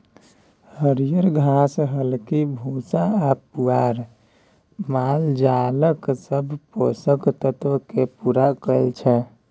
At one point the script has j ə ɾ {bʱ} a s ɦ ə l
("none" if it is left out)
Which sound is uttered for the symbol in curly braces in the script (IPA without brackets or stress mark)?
ɡʱ